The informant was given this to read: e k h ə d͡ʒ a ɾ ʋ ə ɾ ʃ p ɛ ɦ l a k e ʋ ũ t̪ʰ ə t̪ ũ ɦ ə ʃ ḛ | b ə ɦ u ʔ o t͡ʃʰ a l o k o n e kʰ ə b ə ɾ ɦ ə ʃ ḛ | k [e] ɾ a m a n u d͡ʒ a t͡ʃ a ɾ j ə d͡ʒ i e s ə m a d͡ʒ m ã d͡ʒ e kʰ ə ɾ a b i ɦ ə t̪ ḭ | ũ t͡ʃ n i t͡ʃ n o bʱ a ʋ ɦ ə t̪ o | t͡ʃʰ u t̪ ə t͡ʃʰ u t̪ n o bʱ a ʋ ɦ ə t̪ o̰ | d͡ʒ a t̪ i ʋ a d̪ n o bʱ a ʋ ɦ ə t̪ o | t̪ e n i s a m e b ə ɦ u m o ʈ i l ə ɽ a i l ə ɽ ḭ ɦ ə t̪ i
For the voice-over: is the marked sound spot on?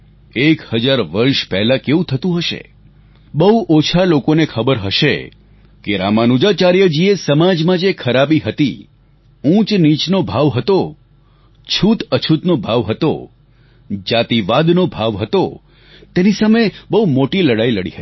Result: yes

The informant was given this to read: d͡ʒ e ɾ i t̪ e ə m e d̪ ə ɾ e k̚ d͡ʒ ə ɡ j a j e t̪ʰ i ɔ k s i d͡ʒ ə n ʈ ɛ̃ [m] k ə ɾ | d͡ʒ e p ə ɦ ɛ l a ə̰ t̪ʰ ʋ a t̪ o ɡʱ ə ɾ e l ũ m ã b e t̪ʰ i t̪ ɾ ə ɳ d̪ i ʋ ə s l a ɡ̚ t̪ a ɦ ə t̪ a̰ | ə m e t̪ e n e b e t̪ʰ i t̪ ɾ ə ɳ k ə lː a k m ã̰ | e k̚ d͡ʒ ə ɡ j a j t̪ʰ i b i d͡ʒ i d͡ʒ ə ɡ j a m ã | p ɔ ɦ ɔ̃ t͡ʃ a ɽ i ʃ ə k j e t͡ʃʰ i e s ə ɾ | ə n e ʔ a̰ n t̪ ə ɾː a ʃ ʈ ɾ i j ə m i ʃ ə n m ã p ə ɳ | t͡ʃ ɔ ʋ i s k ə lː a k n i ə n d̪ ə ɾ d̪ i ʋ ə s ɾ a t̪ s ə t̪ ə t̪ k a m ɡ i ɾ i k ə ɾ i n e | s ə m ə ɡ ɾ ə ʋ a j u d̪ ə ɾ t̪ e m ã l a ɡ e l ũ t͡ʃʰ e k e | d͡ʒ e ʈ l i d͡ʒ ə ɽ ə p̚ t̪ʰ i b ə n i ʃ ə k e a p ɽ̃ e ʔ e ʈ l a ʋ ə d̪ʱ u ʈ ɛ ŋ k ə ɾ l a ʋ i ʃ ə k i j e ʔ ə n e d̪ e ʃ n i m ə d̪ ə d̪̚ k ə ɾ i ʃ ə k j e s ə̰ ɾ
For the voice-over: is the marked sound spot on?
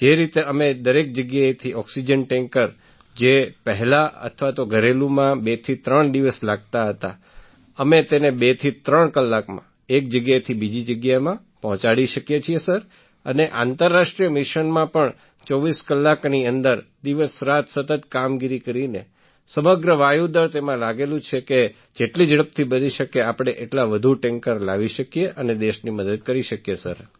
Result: no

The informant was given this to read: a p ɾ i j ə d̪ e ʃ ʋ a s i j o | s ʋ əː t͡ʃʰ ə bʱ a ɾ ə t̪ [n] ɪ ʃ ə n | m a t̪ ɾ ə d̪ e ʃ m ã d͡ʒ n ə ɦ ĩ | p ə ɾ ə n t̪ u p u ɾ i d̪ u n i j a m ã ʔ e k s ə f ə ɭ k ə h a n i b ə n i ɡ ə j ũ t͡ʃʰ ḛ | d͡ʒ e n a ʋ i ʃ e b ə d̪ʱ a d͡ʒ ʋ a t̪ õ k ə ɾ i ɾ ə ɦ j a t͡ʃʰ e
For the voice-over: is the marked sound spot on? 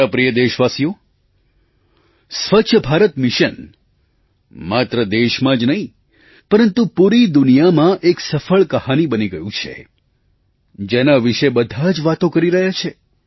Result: no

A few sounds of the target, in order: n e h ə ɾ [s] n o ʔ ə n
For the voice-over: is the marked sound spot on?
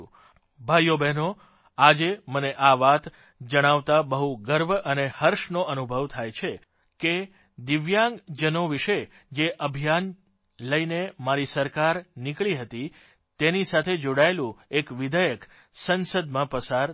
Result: no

